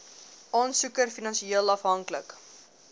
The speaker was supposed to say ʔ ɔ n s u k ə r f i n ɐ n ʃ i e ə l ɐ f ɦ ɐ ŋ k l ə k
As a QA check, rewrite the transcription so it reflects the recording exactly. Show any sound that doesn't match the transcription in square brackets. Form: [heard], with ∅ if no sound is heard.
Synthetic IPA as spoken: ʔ ɔ n s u k ə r f i n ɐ n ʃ i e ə l ɐ f ɦ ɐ ŋ k l ə k